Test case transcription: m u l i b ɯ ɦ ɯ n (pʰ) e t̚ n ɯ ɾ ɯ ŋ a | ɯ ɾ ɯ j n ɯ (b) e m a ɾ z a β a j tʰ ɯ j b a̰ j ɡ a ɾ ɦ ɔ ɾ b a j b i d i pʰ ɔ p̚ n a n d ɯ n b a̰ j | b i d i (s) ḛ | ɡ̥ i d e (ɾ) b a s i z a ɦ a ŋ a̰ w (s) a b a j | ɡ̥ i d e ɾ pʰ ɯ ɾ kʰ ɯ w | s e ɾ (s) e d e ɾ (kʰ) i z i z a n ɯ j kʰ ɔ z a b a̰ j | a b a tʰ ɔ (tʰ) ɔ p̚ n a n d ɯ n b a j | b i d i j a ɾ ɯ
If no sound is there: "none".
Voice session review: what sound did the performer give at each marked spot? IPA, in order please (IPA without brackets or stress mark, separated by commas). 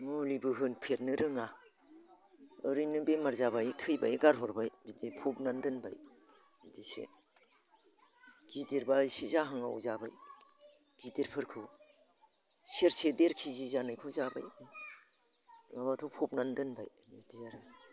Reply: pʰ, b, s, ɾ, z, s, kʰ, pʰ